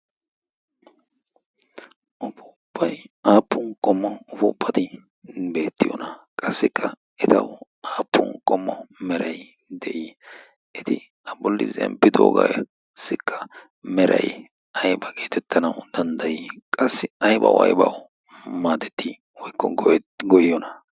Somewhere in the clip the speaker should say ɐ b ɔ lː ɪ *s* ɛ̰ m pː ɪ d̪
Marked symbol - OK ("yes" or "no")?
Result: no